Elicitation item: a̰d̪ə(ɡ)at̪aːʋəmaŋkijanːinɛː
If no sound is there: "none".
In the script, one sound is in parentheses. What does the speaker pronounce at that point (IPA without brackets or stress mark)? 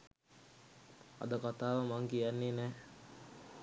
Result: k